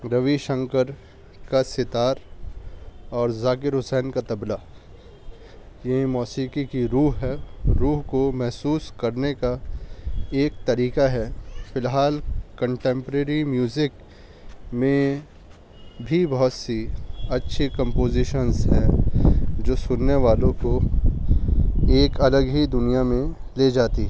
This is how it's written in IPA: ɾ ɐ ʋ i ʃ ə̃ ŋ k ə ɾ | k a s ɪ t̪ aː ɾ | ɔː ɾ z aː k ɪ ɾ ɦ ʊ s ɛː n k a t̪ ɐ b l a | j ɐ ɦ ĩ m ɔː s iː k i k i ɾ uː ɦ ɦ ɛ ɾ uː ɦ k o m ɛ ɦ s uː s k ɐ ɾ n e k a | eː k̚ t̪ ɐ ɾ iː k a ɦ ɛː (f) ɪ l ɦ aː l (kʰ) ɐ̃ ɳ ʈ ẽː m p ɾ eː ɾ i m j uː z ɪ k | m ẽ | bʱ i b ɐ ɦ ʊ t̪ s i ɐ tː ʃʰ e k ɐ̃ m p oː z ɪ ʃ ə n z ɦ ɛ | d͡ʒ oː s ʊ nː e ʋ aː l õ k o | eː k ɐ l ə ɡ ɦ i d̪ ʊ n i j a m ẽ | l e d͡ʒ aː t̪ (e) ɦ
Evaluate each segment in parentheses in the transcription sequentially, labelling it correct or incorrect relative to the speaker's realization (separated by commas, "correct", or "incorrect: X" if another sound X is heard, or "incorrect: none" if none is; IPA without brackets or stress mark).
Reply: correct, incorrect: k, incorrect: i